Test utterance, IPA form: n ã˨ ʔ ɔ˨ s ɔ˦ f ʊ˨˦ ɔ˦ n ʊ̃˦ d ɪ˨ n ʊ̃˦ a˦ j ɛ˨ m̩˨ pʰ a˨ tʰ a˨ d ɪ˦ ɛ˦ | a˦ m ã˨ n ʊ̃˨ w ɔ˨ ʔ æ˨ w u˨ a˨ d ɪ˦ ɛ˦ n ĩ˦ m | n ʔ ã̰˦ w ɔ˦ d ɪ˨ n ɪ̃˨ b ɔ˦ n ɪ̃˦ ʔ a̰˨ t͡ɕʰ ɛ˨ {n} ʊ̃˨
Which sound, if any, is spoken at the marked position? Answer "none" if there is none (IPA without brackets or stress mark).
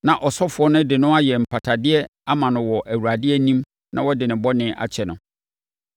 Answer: n